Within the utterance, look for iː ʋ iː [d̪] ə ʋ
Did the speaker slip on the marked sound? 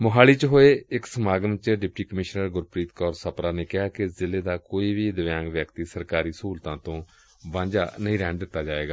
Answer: no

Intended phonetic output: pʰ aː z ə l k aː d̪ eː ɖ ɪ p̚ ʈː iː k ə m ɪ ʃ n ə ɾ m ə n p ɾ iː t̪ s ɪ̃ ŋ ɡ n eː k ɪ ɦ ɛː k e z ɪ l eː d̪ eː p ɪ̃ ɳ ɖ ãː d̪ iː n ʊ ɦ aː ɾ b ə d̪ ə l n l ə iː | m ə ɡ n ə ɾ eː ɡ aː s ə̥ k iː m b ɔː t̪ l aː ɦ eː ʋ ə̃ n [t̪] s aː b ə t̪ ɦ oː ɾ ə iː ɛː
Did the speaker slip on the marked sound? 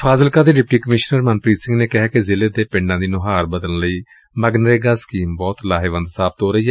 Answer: yes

